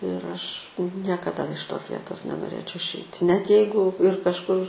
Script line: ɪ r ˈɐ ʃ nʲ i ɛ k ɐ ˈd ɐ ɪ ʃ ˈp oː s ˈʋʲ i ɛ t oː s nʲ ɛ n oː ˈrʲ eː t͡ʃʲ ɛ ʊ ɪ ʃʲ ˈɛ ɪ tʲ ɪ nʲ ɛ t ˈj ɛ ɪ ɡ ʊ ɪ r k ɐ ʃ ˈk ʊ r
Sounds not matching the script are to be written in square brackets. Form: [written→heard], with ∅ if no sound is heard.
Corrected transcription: ɪ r ˈɐ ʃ nʲ i ɛ k ɐ ˈd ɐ ɪ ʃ [ˈp→ˈt] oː s ˈʋʲ i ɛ t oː s nʲ ɛ n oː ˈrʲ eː t͡ʃʲ ɛ ʊ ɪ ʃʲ ˈɛ ɪ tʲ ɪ nʲ ɛ t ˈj ɛ ɪ ɡ ʊ ɪ r k ɐ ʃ ˈk ʊ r